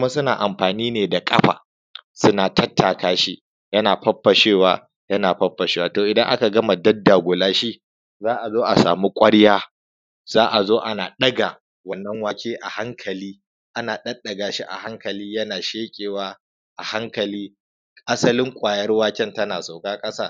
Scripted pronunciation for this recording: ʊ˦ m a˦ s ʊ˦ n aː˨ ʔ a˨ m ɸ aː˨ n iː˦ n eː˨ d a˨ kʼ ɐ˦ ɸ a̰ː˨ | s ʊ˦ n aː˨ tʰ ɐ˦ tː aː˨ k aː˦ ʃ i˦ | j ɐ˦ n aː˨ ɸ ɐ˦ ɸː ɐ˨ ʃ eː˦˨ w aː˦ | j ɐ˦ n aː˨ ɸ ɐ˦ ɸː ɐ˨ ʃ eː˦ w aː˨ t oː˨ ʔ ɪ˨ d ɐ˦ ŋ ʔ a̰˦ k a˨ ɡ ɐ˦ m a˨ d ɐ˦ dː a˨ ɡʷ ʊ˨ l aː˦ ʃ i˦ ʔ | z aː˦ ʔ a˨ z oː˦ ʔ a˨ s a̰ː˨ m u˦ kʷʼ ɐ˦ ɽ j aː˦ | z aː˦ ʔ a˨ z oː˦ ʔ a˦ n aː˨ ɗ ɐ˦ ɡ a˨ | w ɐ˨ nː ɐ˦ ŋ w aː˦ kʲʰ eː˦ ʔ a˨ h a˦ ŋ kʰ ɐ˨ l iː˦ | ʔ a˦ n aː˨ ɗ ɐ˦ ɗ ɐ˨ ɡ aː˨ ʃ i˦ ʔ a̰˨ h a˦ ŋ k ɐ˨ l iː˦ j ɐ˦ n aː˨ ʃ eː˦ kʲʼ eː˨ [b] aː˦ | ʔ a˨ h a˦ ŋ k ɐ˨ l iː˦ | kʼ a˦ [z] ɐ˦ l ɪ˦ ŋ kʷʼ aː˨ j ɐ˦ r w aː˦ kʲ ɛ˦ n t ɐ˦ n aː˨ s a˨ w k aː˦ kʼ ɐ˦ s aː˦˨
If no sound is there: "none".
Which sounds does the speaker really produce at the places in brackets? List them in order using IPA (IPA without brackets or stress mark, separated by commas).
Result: w, s